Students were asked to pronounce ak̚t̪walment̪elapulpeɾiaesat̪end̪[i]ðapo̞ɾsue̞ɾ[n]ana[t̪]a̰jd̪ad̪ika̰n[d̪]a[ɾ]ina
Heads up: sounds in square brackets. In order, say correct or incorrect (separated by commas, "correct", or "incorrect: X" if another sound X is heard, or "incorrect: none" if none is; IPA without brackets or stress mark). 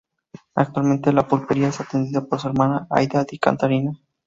correct, incorrect: m, incorrect: none, incorrect: t̪, correct